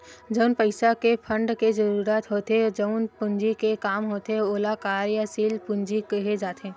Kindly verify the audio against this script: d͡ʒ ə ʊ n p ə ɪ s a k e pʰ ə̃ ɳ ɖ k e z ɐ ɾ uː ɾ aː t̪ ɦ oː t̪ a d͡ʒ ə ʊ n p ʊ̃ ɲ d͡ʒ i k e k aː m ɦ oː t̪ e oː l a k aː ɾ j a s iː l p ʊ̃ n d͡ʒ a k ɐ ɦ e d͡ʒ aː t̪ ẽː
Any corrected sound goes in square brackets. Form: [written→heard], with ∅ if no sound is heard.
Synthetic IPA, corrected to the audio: d͡ʒ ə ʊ n p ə ɪ s a k e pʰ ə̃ ɳ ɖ k e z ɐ ɾ uː ɾ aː t̪ ɦ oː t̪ [a→e] d͡ʒ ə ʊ n p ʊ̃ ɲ d͡ʒ i k e k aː m ɦ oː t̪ e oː l a k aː ɾ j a s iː l p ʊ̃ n d͡ʒ [a→i] k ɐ ɦ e d͡ʒ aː t̪ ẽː